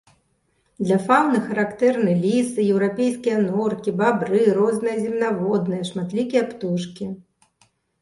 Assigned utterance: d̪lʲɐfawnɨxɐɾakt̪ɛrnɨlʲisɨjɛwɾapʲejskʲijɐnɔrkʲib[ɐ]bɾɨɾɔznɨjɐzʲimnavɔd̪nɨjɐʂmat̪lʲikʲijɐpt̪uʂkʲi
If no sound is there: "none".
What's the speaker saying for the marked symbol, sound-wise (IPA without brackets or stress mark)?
a